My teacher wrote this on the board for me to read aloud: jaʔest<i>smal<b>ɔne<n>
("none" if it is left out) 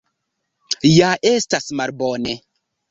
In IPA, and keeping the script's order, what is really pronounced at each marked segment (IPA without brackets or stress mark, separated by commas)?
a, b, none